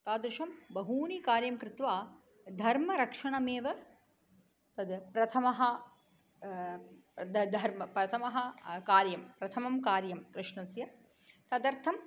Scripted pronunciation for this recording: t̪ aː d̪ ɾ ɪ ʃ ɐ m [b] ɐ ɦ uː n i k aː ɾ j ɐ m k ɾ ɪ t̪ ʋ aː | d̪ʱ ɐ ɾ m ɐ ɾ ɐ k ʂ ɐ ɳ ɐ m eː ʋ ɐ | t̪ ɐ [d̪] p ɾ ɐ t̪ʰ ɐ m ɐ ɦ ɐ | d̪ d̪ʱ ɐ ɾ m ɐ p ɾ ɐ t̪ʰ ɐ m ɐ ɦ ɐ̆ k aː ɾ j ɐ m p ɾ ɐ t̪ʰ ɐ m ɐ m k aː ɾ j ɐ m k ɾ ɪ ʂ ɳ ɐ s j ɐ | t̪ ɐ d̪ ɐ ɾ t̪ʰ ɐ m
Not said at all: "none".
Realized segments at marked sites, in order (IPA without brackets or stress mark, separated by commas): b, d̪